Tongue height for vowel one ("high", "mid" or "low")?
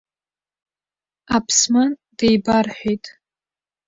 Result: low